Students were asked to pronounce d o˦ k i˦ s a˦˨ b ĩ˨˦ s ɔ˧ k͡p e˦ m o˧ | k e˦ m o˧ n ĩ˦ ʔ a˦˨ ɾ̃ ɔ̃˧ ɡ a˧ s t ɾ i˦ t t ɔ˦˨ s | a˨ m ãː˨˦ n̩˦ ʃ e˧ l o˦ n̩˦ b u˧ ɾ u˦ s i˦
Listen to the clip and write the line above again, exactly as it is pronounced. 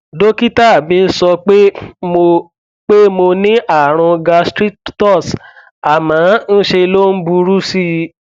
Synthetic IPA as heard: d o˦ k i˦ t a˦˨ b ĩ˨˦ s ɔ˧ k͡p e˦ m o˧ | k͡p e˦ m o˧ n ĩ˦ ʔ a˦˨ ɾ̃ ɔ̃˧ ɡ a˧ s t ɾ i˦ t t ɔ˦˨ s | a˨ m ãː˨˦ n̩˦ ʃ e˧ l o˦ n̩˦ b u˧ ɾ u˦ s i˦